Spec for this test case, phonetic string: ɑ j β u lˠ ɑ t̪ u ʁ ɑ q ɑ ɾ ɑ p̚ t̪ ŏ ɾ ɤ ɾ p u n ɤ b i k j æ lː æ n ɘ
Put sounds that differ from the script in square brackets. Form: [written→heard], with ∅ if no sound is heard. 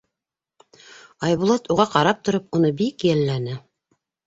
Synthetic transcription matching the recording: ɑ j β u lˠ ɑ t̪ u ʁ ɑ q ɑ ɾ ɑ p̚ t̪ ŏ ɾ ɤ [ɾ→∅] p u n ɤ b i k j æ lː æ n ɘ